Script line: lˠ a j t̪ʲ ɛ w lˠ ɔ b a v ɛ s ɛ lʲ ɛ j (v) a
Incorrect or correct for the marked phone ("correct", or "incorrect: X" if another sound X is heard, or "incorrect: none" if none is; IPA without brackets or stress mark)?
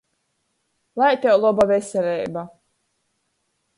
incorrect: b